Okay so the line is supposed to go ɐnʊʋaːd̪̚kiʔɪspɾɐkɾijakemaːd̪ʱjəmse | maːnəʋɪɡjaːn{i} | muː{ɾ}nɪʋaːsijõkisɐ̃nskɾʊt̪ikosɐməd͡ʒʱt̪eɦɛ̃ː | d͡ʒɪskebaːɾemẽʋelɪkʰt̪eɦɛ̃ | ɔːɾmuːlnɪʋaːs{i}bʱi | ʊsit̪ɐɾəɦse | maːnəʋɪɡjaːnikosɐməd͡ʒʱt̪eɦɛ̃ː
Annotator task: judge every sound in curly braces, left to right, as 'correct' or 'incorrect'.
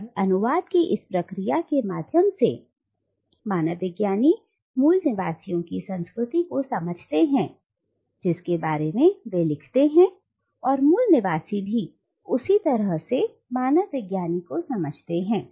correct, incorrect, correct

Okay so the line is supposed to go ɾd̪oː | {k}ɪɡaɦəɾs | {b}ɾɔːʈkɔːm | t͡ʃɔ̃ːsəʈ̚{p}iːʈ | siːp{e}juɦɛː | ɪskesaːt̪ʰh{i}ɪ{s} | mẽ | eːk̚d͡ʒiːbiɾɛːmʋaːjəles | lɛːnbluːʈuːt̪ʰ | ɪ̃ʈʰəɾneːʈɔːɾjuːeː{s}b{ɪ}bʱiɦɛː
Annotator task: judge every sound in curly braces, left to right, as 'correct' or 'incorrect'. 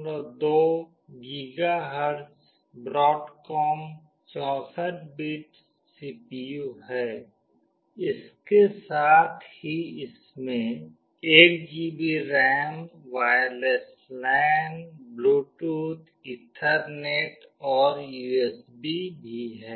incorrect, correct, incorrect, incorrect, correct, correct, correct, incorrect

